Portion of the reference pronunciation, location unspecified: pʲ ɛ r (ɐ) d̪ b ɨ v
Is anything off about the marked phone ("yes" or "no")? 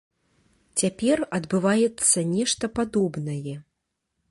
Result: no